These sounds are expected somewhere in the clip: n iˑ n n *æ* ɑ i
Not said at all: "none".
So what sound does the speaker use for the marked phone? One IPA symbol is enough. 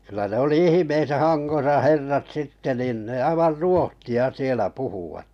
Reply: e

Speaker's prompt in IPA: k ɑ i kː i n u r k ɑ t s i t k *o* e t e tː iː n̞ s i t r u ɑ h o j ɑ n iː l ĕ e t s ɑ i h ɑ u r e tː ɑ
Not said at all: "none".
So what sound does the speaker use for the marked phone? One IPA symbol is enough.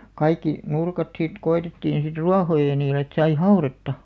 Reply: o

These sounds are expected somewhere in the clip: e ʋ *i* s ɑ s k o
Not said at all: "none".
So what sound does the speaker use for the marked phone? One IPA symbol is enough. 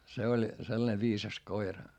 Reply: iː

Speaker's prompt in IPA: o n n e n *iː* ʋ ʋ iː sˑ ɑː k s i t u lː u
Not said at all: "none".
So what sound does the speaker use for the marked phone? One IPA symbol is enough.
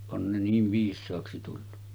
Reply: iː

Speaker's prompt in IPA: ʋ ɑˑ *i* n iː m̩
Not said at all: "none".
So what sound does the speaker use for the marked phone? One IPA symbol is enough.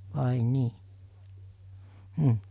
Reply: i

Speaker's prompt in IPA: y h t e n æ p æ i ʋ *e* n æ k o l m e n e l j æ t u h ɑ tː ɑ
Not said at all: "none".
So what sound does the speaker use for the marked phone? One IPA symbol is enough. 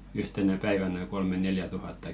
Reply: æ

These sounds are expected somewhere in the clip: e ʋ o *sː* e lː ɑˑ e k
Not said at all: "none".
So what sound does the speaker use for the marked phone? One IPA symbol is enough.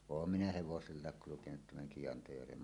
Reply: s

